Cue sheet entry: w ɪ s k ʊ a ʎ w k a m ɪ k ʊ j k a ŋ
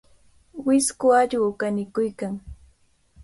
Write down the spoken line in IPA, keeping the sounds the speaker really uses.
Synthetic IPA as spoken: w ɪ s k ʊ a ʎ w k a n ɪ k ʊ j k a ŋ